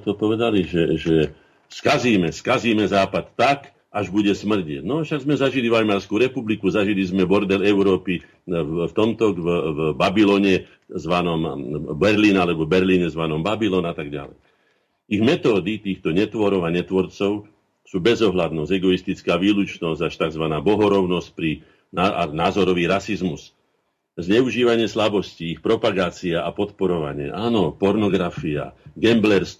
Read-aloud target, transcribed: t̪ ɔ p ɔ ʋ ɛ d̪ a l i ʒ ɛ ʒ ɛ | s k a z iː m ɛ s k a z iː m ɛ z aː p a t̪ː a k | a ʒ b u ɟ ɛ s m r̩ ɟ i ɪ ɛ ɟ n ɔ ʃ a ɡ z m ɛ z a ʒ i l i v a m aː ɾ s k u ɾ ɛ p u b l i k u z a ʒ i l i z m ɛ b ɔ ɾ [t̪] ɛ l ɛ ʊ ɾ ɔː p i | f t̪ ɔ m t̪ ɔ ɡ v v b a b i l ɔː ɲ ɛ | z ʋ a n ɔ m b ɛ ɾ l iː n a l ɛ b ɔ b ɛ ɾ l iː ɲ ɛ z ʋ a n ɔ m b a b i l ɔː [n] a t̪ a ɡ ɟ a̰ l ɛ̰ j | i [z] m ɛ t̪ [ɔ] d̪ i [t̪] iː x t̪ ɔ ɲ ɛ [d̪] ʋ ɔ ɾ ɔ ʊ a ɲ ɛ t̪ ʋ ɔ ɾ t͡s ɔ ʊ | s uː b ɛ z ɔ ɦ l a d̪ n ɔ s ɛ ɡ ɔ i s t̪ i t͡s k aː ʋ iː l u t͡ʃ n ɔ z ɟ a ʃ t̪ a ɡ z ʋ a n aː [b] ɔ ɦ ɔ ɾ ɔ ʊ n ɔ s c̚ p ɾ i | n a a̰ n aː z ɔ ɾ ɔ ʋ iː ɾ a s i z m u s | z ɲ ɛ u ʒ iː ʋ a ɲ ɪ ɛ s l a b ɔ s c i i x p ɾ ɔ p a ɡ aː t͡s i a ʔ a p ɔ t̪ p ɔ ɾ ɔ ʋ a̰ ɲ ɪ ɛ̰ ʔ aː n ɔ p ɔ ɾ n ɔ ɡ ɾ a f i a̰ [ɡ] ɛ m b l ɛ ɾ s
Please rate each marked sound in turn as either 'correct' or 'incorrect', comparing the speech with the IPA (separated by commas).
incorrect, correct, incorrect, incorrect, correct, incorrect, correct, correct